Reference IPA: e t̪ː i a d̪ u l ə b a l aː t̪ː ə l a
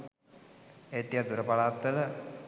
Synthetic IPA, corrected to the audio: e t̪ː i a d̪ u ɾ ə p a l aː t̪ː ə l ə